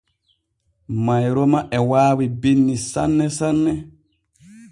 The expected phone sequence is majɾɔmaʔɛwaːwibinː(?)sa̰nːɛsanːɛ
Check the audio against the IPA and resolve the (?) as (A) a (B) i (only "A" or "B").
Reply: B